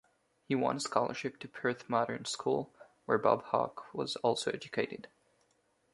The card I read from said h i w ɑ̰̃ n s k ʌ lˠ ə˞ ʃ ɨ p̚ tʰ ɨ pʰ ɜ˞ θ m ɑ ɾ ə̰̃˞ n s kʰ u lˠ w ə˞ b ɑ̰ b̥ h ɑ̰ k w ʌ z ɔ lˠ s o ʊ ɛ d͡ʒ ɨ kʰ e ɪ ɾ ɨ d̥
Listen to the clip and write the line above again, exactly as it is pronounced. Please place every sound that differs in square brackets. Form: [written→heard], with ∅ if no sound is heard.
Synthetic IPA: h i w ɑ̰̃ n s k [ʌ→ɑ] lˠ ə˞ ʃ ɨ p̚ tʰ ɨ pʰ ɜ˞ θ m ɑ ɾ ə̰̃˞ n s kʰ u lˠ w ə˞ b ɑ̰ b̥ h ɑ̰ k w ʌ z ɔ lˠ s o ʊ ɛ d͡ʒ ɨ kʰ e ɪ ɾ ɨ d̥